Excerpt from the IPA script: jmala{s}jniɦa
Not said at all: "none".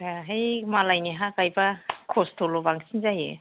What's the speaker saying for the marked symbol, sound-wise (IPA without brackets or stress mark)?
none